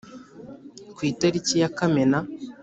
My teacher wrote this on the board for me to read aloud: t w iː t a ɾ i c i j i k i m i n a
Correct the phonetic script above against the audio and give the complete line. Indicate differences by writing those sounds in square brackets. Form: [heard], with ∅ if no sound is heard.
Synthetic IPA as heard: [k] w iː t a ɾ i c i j [a] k [a] m [e] n a